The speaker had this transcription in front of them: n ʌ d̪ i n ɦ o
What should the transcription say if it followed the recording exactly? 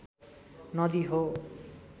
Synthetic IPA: n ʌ d̪ i ɦ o